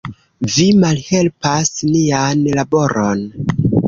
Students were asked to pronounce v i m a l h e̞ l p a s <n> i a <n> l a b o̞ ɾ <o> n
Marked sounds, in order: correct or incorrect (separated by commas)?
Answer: correct, correct, correct